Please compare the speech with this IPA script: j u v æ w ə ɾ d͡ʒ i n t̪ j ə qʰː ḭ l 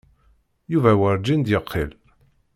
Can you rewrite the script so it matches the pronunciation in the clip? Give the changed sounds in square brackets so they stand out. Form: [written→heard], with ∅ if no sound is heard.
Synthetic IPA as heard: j u v æ w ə ɾ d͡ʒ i n [t̪→d̪] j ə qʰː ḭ l